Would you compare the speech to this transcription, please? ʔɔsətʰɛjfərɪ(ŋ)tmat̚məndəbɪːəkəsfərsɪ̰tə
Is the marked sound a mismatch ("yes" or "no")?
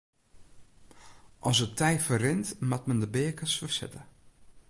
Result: yes